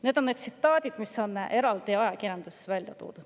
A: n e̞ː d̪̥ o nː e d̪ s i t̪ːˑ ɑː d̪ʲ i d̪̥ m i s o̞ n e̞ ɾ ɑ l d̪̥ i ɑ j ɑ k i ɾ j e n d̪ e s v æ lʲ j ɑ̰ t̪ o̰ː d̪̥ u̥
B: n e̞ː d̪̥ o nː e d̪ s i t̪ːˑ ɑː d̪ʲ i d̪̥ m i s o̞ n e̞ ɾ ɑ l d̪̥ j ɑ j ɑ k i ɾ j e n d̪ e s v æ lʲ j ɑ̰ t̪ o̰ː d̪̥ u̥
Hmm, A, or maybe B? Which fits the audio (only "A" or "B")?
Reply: A